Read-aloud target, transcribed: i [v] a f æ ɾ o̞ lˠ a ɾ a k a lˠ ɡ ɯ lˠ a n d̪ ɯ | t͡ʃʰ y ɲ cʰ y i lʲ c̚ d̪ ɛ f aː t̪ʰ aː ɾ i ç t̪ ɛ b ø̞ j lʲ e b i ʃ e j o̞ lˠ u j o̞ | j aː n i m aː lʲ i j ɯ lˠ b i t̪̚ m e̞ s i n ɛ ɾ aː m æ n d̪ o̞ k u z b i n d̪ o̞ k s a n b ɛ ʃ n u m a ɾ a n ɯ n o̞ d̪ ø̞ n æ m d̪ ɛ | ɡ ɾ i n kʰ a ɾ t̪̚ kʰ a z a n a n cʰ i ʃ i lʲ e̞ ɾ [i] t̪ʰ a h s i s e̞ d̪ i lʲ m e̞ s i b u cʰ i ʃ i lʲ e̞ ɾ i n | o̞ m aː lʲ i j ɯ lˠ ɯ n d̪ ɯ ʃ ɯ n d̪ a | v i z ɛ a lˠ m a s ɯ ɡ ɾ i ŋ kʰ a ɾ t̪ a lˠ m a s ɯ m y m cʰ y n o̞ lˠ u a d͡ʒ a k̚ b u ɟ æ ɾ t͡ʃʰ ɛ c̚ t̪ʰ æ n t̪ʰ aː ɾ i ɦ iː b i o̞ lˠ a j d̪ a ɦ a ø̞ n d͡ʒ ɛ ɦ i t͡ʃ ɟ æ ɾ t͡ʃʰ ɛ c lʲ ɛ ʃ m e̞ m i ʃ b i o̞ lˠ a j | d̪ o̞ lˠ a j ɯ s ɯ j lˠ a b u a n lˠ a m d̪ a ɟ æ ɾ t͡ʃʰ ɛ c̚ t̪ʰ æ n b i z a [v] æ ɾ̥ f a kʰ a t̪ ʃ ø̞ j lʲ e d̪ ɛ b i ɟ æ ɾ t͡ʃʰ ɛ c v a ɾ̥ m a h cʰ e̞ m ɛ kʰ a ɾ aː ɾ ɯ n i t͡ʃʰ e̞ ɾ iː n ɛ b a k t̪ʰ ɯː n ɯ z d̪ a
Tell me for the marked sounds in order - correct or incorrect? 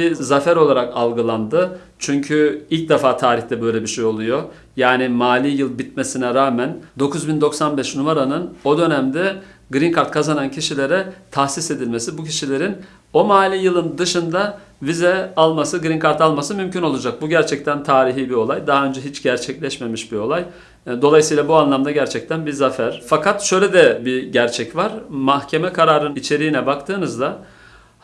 incorrect, incorrect, incorrect

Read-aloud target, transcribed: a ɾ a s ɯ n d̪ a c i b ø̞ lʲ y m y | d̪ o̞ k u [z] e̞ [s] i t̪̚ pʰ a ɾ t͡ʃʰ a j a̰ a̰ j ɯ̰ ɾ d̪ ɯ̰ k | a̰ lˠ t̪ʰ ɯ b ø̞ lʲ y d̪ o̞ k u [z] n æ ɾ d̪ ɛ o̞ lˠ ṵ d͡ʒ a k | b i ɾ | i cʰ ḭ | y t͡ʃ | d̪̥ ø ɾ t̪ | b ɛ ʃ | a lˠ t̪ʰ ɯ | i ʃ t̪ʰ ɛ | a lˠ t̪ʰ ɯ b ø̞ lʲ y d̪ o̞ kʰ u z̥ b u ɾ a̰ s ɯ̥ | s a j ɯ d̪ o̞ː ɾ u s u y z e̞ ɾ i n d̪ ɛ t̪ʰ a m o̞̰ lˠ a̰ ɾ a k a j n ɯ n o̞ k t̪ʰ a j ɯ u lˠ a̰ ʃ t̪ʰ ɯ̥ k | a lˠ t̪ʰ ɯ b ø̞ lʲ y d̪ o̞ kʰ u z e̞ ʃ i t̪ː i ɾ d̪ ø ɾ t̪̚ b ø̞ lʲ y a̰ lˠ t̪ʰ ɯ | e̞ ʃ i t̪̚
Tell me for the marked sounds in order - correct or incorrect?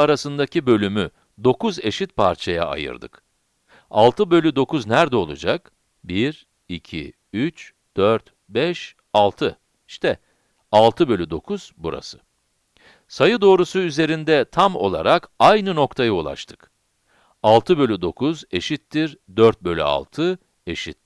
correct, incorrect, correct

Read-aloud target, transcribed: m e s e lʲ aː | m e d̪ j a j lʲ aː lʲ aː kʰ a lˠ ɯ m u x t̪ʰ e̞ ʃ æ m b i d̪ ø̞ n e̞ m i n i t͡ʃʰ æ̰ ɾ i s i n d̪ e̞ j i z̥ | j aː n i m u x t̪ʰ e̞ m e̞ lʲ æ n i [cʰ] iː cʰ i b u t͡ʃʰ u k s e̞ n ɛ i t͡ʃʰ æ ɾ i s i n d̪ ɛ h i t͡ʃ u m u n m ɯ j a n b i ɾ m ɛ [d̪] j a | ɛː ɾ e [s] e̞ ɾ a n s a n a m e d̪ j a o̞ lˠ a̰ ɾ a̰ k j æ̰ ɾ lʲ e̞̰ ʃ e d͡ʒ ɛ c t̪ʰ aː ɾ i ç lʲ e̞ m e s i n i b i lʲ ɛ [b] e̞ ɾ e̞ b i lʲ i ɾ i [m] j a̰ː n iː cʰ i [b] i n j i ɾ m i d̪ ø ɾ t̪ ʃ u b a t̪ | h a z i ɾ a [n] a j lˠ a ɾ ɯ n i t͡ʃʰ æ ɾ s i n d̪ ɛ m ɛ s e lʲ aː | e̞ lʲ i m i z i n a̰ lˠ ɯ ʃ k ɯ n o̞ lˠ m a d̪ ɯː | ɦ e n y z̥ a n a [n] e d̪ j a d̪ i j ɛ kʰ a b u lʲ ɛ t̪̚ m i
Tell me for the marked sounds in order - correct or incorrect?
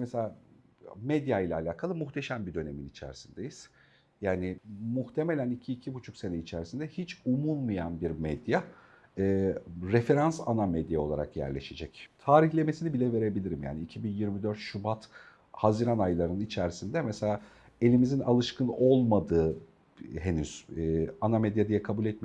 correct, correct, incorrect, incorrect, correct, correct, correct, incorrect

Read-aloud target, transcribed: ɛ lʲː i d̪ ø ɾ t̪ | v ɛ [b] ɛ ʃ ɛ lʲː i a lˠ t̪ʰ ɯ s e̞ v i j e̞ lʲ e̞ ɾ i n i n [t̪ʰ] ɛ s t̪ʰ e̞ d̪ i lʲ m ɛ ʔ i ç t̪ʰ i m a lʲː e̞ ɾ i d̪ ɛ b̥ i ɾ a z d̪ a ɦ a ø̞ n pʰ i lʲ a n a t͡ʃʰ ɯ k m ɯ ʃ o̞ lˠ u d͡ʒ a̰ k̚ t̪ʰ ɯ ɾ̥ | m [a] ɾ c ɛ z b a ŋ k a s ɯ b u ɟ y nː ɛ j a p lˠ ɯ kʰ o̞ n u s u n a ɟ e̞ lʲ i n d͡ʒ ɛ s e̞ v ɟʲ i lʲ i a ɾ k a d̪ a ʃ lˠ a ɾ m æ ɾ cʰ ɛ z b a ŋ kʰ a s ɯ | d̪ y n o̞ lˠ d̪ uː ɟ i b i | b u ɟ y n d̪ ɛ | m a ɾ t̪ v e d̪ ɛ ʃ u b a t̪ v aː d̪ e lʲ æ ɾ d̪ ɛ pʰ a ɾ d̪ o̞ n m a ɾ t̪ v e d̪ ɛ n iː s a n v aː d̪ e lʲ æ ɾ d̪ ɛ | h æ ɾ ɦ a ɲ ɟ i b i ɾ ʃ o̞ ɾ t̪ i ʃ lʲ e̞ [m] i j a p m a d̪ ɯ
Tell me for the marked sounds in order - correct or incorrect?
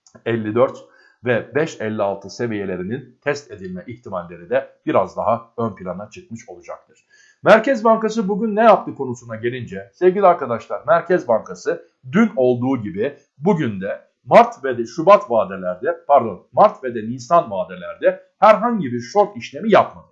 correct, correct, incorrect, correct

